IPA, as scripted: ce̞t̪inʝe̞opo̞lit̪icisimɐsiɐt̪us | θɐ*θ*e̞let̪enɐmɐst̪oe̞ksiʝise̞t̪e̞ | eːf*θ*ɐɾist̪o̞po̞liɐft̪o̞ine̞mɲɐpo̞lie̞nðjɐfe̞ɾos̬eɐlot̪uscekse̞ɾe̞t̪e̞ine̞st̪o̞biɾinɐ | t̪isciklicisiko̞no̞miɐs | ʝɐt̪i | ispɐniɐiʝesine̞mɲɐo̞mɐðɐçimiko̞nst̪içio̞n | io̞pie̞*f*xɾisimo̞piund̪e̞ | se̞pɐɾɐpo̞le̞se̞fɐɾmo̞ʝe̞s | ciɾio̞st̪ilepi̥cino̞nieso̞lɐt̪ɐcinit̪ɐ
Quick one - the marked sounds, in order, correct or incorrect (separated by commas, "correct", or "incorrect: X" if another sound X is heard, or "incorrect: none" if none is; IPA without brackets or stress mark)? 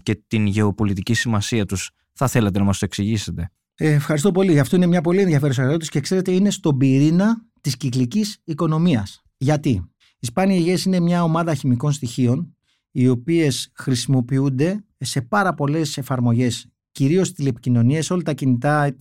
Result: correct, incorrect: x, incorrect: s